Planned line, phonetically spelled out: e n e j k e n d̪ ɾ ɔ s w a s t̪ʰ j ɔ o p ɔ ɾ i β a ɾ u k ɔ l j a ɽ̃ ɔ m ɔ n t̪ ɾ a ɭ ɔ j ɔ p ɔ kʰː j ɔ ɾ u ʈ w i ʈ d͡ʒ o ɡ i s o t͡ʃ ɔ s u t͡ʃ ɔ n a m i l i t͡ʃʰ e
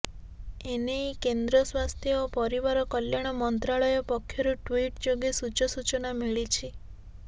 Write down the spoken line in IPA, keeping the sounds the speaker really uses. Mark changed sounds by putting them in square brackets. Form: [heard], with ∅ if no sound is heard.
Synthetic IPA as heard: e n e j k e n d̪ ɾ ɔ s w a s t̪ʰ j ɔ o p ɔ ɾ i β a ɾ [ɔ] k ɔ l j a ɽ̃ ɔ m ɔ n t̪ ɾ a ɭ ɔ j ɔ p ɔ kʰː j ɔ ɾ u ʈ w i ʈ d͡ʒ o ɡ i s [u] t͡ʃ ɔ s u t͡ʃ ɔ n a m i [ɭ] i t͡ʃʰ [i]